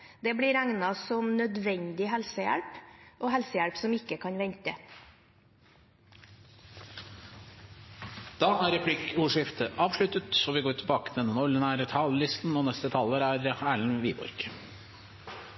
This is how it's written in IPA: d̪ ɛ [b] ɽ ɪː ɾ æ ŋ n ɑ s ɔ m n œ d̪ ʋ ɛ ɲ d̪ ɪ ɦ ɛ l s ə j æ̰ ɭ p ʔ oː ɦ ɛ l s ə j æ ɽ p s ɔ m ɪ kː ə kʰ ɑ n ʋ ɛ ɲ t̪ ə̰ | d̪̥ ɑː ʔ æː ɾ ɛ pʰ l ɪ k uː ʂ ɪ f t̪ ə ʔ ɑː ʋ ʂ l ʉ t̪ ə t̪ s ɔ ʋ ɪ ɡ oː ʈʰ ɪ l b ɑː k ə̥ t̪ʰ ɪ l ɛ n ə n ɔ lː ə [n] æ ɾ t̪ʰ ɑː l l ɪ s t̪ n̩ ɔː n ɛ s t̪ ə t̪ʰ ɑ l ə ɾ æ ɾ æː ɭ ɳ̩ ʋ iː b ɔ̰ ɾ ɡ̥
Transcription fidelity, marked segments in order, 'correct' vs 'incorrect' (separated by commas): correct, correct